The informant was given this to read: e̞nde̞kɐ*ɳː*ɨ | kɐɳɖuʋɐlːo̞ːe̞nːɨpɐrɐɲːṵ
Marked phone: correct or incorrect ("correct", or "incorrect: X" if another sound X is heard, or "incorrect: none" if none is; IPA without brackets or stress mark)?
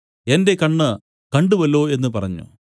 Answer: correct